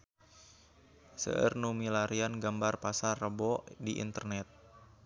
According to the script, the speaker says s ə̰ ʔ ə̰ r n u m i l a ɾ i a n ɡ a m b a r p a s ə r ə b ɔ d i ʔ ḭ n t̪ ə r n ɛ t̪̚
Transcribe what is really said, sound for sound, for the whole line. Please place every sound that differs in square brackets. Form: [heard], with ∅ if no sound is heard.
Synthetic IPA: s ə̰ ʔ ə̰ r n u m i l a ɾ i a n ɡ a m b a r p a s [a] r ə b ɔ d i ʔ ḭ n t̪ ə r n ɛ t̪̚